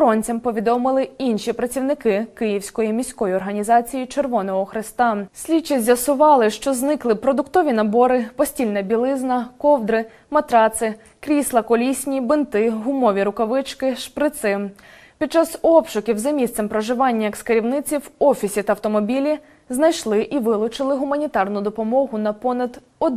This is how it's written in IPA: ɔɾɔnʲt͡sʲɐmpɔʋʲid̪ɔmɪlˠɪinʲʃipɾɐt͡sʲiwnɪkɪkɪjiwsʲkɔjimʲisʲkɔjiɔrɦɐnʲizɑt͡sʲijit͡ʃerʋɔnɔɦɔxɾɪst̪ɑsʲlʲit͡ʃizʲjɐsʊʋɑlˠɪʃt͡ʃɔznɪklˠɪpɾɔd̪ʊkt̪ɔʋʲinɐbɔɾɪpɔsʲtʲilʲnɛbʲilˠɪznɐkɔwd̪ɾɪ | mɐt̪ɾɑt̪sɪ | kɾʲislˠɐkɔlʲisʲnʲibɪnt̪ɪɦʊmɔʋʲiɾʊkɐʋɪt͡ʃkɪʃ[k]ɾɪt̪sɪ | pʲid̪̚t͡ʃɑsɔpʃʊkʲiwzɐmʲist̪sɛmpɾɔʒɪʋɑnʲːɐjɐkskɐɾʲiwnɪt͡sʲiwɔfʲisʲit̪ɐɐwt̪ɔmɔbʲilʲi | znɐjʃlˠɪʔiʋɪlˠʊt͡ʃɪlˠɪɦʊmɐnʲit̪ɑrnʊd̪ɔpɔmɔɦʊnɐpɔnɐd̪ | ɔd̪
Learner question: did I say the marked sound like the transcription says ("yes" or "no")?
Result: no